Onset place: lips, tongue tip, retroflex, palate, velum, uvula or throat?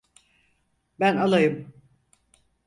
lips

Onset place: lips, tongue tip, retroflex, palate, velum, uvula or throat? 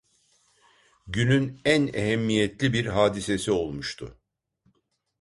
palate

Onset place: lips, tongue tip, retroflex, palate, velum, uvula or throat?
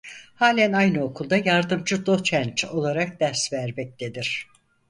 throat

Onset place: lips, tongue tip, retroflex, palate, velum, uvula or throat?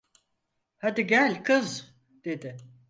throat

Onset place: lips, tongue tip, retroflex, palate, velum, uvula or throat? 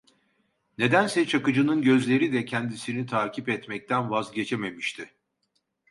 tongue tip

